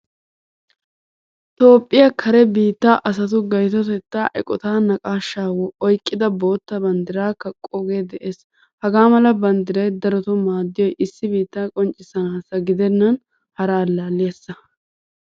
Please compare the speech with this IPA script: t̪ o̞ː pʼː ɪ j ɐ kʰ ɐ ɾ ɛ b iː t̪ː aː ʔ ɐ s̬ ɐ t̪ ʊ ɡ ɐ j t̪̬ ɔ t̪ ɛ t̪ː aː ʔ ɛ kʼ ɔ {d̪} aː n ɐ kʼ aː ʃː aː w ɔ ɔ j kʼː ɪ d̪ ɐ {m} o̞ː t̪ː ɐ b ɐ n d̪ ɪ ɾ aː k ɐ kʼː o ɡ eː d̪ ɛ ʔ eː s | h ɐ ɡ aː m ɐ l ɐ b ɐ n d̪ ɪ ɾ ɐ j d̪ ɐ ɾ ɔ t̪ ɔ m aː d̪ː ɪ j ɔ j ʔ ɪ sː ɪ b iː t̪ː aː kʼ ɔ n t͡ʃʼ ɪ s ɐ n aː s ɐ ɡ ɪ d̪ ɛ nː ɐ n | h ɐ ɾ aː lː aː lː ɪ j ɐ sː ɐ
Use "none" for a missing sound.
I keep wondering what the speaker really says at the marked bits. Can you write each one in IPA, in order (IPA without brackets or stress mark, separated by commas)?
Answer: t̪, b